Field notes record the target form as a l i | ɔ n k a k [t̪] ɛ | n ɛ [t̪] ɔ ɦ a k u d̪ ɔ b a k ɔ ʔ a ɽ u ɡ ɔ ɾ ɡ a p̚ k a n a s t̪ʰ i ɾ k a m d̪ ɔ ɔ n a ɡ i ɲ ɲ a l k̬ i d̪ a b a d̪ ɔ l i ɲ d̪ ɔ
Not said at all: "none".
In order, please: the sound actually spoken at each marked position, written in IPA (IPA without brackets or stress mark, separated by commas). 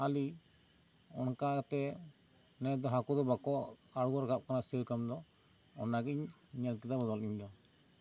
t̪, d̪